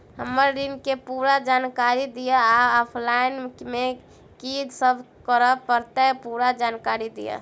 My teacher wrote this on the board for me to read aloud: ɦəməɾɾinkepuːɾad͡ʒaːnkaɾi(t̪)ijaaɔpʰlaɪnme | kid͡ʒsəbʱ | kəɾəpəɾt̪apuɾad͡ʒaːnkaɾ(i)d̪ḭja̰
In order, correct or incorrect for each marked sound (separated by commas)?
incorrect, correct